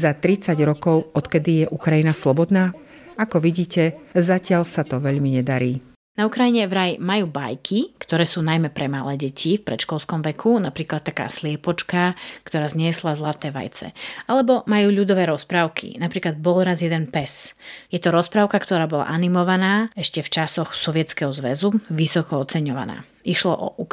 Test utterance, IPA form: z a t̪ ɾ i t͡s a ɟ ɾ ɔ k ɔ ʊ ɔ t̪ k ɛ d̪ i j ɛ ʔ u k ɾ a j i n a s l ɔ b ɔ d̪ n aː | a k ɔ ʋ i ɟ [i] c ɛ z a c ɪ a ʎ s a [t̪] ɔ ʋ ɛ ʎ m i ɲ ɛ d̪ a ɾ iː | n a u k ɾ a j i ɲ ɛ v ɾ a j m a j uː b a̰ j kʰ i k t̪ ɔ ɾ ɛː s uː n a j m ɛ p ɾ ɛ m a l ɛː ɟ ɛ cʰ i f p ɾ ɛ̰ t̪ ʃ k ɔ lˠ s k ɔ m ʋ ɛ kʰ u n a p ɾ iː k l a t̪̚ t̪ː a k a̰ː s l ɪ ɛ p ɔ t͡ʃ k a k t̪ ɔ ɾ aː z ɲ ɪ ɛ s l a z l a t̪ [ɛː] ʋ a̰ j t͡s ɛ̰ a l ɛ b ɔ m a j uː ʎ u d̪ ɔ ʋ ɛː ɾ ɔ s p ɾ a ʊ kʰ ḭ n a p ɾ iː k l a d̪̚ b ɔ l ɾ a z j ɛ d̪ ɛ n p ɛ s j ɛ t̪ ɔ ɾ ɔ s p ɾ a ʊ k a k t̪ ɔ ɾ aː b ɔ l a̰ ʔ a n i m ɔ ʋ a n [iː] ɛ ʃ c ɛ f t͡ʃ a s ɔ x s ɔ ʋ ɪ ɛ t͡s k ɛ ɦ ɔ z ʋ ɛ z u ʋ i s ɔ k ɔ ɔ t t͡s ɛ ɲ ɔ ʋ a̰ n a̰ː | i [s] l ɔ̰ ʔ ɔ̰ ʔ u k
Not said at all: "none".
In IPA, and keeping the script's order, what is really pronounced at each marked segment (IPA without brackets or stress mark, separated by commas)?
iː, t̪, ɛː, aː, ʃ